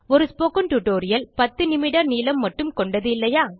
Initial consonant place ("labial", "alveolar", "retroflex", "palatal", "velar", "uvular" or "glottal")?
alveolar